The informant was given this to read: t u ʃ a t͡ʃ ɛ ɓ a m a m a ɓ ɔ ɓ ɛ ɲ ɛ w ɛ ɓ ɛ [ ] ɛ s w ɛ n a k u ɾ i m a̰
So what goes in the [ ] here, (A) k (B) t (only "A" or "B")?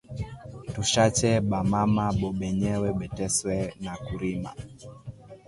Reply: B